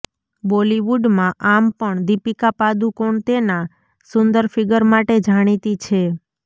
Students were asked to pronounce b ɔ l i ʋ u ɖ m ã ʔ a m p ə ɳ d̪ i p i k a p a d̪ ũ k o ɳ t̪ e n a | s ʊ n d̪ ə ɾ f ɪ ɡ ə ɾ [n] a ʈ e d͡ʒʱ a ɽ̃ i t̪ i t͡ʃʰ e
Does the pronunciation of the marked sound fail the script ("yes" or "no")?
yes